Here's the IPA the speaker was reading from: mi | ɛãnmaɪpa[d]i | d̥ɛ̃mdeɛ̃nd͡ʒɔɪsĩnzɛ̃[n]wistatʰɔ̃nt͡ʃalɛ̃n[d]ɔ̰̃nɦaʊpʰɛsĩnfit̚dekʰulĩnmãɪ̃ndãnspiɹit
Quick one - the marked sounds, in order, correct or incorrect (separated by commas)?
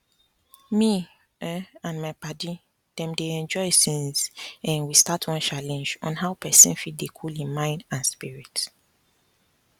correct, correct, incorrect